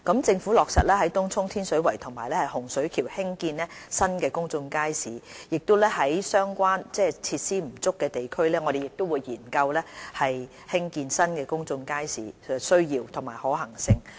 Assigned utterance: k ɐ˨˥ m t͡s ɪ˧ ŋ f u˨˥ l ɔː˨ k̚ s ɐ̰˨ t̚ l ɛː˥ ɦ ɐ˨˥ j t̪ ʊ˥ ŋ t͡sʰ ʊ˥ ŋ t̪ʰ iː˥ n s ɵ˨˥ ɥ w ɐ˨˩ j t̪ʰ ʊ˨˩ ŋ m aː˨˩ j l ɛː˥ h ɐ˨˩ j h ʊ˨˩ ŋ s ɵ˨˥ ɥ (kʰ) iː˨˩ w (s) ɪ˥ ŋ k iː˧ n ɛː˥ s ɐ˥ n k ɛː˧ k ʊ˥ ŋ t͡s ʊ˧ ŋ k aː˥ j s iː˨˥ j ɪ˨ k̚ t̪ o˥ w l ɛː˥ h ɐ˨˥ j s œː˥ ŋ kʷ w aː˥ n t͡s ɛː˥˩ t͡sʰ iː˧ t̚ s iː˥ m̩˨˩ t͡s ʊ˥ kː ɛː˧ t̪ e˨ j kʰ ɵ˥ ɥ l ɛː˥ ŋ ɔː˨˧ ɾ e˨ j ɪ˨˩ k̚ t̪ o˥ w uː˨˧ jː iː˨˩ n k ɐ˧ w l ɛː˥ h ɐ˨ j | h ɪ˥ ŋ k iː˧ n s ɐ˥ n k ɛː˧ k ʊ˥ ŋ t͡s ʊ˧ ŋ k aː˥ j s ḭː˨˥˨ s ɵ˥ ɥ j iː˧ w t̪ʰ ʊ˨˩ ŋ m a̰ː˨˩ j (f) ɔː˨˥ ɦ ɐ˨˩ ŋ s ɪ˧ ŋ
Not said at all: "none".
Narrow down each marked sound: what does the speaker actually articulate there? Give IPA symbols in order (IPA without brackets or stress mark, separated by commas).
kʰ, h, h